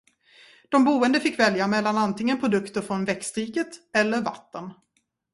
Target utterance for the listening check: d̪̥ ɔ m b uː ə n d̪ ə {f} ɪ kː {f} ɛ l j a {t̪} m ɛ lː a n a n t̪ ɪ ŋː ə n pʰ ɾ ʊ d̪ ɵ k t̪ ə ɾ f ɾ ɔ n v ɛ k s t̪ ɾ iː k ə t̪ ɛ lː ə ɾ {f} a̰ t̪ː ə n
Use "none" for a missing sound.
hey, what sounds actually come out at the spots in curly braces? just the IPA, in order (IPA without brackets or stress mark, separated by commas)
f, v, none, v